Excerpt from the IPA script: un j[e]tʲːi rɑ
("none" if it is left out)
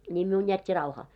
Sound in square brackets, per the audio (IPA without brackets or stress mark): æ